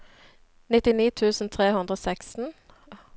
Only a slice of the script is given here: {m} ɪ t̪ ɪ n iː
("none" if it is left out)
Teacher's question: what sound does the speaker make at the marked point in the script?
n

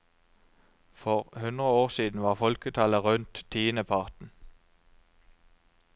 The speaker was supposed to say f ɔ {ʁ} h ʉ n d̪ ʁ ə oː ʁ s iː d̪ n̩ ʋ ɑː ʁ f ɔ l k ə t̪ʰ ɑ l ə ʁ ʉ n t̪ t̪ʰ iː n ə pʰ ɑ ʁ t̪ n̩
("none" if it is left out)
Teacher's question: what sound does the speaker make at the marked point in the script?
ʁ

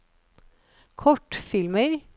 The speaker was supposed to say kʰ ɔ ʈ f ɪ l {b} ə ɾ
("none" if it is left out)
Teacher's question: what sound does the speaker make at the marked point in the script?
m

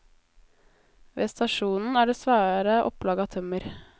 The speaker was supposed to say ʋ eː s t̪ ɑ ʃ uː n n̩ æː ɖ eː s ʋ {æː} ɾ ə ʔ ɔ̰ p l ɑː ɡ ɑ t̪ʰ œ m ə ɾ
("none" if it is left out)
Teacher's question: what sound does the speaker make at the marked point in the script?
æː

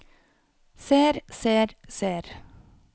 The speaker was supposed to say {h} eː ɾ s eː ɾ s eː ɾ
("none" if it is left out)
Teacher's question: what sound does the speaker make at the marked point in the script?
s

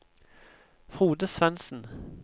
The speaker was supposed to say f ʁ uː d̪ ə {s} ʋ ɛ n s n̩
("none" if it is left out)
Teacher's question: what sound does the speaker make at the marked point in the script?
s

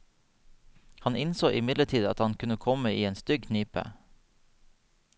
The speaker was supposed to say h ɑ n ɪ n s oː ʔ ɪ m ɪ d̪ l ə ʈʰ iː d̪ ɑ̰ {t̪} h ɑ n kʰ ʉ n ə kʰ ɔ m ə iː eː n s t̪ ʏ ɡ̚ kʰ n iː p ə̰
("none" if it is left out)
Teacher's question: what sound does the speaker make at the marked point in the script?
t̪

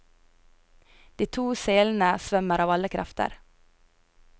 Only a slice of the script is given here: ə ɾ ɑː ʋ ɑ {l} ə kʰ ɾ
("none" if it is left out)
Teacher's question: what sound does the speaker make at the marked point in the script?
l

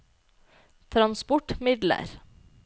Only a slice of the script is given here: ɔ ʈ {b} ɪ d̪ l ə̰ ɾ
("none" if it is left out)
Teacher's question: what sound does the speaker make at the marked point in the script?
m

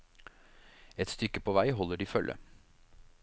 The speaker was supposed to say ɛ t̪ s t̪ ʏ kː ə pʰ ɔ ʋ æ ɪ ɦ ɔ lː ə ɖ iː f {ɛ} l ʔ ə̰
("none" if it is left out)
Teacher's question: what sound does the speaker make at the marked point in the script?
œ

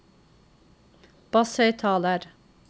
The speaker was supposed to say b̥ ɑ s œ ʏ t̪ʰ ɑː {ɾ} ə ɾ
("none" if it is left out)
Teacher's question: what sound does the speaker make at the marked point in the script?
l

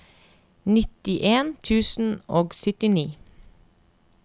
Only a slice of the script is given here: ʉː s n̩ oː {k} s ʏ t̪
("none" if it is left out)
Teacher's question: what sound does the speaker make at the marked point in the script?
ɡ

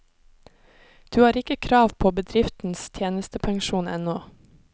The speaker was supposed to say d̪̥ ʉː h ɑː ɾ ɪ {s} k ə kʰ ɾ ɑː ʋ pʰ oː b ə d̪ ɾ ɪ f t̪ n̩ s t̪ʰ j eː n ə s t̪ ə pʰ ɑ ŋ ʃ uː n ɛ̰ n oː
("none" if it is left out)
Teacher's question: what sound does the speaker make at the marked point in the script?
none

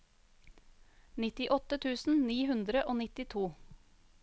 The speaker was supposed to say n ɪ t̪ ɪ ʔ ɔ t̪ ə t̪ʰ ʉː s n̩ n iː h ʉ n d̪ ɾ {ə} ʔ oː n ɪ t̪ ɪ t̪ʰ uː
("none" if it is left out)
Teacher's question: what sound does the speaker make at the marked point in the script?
ə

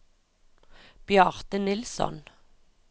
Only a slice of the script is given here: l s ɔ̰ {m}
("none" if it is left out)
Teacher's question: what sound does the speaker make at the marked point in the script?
n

